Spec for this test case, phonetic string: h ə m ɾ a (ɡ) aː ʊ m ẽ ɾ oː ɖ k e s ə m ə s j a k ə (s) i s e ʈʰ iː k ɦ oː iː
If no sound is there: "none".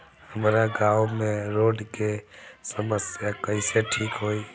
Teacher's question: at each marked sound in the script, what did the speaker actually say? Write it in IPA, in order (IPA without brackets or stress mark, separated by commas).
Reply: ɡ, none